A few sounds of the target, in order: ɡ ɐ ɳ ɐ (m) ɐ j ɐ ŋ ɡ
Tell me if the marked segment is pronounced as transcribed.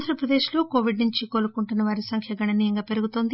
no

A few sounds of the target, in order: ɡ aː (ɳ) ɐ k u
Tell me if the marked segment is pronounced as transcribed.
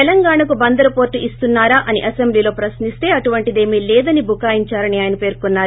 yes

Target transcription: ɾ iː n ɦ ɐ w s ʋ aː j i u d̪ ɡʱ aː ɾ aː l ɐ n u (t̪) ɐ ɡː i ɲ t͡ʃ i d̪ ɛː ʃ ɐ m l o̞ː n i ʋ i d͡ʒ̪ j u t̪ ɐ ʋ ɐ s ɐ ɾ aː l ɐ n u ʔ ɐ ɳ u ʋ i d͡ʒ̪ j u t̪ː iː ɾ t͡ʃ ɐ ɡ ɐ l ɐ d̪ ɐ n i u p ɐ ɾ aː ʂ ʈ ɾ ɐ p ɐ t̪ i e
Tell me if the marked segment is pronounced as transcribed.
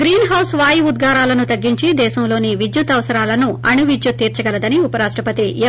yes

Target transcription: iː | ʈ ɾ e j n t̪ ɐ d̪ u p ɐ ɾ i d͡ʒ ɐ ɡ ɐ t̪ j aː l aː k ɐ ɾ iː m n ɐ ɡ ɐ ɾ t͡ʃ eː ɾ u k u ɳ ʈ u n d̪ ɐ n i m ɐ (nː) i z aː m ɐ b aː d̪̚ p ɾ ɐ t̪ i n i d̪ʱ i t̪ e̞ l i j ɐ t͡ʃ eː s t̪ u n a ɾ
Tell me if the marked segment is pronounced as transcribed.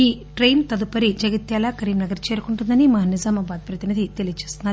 no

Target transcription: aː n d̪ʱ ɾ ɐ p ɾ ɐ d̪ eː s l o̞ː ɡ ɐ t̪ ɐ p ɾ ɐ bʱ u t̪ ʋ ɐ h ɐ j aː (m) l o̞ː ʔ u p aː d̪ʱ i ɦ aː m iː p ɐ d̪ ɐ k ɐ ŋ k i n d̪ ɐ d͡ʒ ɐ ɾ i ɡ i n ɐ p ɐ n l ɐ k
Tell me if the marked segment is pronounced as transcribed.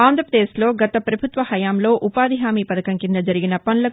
yes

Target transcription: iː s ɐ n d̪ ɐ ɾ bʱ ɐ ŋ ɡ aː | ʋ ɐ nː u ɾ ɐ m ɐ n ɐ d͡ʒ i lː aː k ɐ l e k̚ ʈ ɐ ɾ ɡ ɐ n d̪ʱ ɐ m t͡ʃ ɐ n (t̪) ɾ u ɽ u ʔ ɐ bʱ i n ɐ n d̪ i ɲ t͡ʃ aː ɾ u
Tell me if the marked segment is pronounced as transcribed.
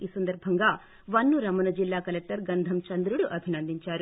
no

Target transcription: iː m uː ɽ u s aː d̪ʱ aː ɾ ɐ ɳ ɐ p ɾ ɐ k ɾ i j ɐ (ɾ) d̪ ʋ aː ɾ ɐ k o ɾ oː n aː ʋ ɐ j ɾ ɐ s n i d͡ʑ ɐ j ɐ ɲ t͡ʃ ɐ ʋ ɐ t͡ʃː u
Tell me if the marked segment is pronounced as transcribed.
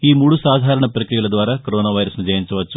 no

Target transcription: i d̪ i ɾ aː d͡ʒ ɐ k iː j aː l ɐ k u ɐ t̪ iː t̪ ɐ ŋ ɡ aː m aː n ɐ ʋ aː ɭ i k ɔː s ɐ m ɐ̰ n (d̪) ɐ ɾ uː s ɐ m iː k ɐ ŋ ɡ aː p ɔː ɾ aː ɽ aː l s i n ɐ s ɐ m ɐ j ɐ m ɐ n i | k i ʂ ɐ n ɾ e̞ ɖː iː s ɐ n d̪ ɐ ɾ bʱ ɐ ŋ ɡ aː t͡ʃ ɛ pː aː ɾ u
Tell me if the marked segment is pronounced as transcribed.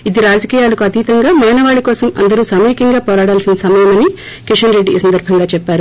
yes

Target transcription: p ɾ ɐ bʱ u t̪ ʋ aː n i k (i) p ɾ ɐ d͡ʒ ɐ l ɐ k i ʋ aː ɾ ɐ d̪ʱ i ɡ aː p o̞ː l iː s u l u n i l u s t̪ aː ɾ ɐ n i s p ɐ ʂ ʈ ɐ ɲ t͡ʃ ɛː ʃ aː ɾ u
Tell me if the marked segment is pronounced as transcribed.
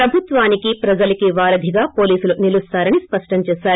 yes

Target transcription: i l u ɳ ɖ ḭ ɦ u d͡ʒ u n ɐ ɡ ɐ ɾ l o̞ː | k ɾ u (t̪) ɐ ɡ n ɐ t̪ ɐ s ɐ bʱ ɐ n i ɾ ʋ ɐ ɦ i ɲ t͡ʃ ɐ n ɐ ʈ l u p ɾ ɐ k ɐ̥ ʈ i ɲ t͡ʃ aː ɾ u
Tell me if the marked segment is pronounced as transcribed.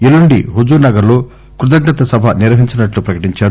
no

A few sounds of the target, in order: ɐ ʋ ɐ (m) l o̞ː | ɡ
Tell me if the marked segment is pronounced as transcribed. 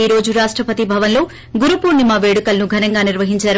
no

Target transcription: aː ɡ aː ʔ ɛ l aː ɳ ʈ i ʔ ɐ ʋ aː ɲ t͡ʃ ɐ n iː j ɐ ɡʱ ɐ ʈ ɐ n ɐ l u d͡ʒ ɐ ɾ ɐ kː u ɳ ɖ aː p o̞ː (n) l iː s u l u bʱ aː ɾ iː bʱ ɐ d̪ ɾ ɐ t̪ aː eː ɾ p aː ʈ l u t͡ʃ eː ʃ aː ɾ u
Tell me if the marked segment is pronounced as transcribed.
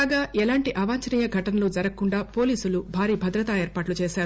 no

